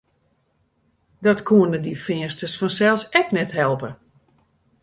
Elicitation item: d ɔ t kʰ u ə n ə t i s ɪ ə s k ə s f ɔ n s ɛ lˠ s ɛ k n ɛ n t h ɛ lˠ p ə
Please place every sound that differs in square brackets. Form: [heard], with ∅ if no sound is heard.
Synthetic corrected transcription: d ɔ t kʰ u ə n ə [d] i [f] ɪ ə s [t] ə s f ɔ n s ɛ lˠ s ɛ k n ɛ [∅] t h ɛ lˠ p ə